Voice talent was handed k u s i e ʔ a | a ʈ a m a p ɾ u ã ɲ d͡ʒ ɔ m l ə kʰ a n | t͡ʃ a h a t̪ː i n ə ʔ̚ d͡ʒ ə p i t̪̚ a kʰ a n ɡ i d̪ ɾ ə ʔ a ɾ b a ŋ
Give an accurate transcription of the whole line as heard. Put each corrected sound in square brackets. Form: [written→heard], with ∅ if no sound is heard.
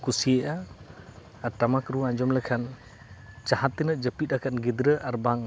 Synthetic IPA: k u s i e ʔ a | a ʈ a m a [p→k] ɾ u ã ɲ d͡ʒ ɔ m l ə kʰ a n | t͡ʃ a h a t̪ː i n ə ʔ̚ d͡ʒ ə p i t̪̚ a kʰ a n ɡ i d̪ ɾ ə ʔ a ɾ b a ŋ